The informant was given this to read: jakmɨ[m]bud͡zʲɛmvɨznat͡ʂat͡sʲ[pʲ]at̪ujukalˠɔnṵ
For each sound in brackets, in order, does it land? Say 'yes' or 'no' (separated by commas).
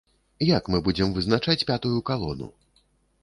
no, yes